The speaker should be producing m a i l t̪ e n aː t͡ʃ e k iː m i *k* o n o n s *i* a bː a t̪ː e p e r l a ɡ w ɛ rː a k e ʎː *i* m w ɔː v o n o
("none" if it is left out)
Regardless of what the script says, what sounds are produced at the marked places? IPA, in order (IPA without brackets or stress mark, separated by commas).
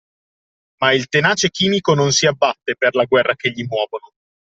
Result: k, i, i